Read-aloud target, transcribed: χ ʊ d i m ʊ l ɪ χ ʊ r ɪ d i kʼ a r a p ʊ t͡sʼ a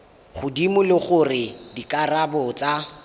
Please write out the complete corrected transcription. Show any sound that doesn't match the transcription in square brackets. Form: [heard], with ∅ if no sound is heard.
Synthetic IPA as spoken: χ ʊ d i m ʊ l ɪ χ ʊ r ɪ d i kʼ a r a [b] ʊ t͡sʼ a